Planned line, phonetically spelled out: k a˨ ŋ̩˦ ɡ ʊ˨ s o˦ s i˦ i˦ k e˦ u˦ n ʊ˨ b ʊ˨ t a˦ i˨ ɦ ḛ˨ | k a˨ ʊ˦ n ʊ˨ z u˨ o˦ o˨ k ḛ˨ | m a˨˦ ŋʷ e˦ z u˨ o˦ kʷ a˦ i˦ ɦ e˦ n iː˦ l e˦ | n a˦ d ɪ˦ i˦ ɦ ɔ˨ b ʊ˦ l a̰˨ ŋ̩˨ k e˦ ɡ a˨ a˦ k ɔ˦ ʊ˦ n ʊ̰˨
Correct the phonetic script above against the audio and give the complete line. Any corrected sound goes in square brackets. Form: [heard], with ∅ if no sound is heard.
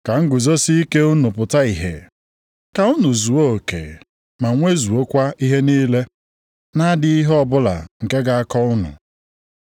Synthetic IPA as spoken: k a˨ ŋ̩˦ ɡ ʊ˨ [z] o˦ s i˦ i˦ k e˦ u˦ n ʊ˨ [p] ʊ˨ t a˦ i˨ ɦ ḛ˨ | k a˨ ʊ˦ n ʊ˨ z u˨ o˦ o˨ k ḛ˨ | m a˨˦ ŋʷ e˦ z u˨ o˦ kʷ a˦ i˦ ɦ e˦ n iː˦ l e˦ | n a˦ d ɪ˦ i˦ ɦ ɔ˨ b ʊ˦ l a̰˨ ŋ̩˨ k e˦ ɡ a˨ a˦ k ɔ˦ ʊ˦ n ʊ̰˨